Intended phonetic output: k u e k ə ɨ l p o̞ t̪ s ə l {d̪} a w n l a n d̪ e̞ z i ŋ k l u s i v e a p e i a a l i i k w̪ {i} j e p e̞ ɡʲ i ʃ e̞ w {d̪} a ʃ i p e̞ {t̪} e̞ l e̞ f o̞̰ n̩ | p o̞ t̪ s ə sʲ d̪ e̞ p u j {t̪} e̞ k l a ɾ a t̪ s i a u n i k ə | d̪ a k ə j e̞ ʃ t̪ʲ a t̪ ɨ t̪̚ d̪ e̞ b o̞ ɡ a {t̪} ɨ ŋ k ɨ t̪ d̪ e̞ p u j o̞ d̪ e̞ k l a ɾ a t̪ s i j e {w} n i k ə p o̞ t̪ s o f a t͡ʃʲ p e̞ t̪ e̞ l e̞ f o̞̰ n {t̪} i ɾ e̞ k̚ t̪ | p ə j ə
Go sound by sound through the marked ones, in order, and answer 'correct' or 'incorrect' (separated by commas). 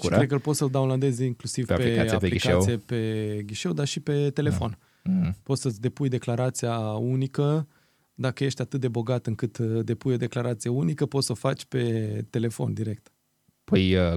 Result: correct, correct, correct, correct, incorrect, correct, incorrect, incorrect